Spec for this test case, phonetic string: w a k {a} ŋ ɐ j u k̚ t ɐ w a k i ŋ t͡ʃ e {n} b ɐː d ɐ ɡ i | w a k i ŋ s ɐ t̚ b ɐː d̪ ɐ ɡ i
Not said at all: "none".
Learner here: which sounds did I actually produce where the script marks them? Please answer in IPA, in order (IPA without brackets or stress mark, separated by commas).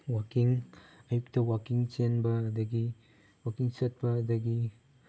i, n